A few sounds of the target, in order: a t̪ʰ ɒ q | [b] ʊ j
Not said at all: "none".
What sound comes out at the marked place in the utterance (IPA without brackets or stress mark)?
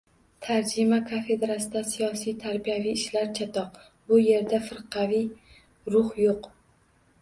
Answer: b